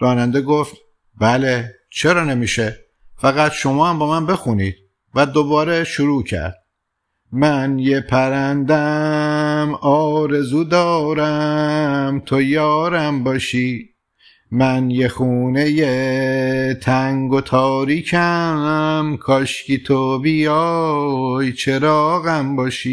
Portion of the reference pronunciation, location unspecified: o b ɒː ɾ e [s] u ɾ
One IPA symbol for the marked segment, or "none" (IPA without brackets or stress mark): ʃ